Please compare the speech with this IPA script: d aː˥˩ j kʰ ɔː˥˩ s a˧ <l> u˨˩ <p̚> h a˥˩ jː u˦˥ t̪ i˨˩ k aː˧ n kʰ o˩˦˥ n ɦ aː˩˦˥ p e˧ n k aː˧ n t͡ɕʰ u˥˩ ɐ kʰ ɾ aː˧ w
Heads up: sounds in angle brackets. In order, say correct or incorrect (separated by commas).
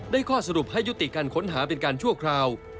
incorrect, correct